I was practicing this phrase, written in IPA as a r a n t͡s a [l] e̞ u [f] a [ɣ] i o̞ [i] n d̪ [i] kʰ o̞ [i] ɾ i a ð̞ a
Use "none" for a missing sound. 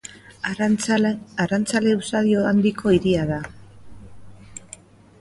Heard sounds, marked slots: l, s, ð, a, i, i

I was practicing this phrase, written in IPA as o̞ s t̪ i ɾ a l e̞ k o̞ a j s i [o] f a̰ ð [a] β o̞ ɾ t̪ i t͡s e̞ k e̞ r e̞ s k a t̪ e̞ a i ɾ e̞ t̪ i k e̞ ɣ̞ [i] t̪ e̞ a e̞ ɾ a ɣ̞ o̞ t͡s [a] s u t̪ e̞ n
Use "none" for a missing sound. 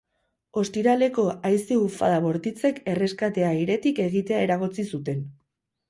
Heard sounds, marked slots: u, a, i, i

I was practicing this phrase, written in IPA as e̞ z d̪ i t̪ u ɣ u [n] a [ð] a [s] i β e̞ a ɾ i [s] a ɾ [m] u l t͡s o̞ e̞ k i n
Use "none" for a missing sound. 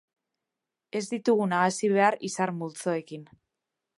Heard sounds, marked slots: n, ɣ, s, s, m

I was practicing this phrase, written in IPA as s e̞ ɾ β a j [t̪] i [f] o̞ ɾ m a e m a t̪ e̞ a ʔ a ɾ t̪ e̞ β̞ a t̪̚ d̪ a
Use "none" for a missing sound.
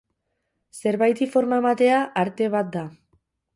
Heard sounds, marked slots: t̪, f

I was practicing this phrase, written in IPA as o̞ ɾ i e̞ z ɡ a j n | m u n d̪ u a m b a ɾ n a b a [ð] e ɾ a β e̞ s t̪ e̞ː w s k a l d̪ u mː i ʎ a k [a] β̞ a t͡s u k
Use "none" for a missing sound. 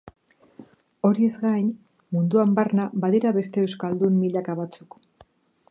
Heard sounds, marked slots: ð, a

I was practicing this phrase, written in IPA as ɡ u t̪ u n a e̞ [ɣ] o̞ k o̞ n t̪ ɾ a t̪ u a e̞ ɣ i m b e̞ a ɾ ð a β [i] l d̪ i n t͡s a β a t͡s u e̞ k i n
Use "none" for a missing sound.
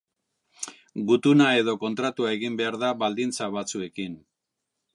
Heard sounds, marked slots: ð, a

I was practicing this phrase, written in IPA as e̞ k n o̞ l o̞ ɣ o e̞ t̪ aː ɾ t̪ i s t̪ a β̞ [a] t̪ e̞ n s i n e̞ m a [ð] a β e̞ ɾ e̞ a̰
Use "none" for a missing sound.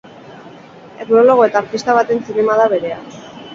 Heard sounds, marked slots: a, ð

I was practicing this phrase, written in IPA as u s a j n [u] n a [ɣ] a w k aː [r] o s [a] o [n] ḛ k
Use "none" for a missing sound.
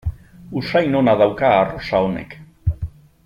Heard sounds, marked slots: o, ð, r, a, n

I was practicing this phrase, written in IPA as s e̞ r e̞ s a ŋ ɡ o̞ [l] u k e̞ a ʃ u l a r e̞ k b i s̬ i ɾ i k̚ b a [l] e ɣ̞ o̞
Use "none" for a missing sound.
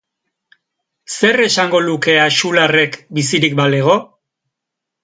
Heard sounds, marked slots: l, l

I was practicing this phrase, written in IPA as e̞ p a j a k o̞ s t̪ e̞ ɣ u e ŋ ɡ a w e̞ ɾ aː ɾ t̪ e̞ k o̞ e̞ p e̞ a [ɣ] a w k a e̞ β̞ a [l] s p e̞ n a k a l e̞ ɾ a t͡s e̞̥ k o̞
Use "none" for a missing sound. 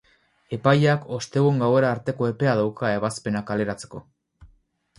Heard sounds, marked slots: ð, none

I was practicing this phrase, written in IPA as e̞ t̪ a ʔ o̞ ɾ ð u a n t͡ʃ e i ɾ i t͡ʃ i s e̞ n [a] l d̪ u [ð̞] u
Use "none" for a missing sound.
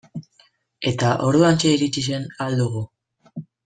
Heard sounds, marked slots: a, ɣ̞

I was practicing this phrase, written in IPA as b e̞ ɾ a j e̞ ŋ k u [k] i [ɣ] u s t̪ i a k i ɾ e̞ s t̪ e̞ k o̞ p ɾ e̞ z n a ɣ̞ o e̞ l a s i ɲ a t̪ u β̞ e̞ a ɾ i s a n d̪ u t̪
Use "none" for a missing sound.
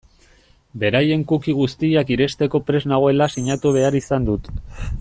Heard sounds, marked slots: k, ɣ

